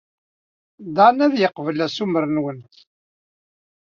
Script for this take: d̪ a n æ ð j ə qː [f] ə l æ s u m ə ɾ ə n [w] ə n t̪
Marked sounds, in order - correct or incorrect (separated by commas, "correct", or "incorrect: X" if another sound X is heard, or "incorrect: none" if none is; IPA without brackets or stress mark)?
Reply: incorrect: v, correct